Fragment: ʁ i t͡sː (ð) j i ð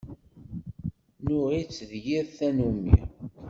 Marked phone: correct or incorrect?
correct